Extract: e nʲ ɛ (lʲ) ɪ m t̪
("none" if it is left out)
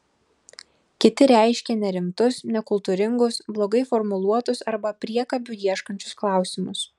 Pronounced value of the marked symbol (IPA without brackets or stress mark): ɾʲ